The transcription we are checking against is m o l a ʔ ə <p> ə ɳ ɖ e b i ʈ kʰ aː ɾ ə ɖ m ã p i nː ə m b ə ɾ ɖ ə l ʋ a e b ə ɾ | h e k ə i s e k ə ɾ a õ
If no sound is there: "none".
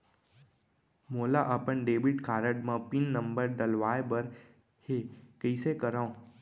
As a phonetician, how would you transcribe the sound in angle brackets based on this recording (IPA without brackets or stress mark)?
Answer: p